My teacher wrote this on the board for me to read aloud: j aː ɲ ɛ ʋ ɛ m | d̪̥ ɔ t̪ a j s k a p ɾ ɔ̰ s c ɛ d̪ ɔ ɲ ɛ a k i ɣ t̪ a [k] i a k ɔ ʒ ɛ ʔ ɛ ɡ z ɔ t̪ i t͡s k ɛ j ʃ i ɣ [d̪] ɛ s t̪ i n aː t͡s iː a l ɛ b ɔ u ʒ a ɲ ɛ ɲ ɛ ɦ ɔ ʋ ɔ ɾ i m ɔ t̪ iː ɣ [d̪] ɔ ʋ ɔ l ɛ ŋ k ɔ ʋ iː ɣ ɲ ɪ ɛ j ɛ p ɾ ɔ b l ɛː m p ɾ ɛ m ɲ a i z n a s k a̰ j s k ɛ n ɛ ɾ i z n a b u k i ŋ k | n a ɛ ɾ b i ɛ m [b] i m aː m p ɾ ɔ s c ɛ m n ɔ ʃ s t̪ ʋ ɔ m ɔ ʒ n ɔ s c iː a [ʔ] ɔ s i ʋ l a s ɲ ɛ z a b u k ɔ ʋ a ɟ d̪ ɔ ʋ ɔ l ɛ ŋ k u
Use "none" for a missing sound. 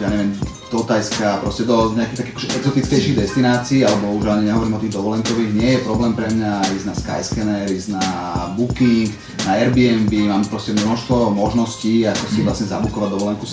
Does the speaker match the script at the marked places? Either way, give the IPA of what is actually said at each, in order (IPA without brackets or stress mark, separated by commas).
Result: k, d̪, d̪, b, k